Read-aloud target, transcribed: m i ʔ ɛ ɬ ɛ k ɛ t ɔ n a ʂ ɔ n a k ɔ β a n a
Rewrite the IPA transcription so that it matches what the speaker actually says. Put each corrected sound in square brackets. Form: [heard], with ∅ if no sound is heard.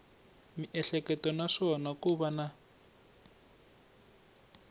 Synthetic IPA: m i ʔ ɛ ɬ ɛ k ɛ t ɔ n a ʂ ɔ n a k [u] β a n a